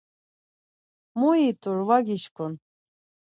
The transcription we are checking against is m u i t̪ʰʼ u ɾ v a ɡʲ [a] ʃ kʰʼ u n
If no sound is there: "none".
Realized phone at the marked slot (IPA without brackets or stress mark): i